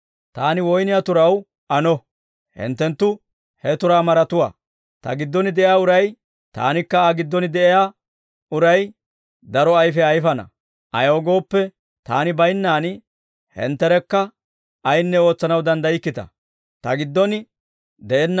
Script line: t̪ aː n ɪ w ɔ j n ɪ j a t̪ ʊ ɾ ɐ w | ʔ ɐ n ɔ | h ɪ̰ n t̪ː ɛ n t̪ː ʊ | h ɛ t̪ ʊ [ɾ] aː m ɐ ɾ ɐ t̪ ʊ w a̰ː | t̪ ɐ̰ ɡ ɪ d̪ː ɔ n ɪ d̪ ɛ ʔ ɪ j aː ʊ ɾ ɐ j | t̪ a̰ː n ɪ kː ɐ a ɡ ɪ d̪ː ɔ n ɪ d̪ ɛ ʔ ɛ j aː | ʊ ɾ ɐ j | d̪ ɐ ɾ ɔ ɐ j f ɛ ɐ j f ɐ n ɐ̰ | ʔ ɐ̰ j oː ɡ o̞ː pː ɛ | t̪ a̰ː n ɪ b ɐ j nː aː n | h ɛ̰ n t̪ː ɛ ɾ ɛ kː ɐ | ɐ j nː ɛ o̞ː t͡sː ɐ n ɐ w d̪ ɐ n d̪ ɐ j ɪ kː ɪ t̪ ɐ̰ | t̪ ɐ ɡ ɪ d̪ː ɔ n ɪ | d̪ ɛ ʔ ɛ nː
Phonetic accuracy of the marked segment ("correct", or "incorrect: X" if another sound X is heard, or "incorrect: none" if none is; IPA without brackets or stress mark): correct